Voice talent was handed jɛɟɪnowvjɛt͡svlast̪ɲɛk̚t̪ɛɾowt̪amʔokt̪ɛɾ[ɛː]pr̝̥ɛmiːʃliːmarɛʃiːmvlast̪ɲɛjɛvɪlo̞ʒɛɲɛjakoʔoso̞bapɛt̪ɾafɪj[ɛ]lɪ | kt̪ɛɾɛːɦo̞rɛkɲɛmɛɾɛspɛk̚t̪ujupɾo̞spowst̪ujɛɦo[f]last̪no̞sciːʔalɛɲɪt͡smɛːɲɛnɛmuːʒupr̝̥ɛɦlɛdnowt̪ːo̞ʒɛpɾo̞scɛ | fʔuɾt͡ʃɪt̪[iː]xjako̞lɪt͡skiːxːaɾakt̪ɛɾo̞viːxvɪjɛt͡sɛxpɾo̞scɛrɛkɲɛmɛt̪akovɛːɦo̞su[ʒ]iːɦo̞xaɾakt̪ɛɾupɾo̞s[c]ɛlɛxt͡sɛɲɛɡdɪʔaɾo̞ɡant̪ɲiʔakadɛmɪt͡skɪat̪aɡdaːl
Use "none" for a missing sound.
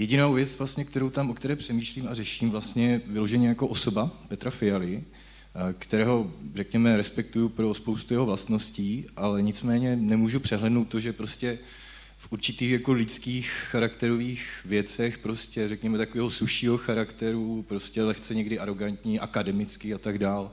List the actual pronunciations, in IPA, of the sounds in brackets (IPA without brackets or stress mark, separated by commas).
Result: ɛː, a, v, iː, ʃ, c